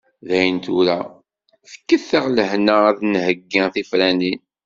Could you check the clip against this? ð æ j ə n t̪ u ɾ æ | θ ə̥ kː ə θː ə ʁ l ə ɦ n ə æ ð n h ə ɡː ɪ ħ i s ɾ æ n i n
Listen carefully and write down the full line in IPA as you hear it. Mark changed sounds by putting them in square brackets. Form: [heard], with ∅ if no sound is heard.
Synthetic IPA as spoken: ð æ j ə n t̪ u ɾ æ | θ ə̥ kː ə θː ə ʁ l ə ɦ n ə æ ð n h ə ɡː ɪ [θ] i [f] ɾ æ n i n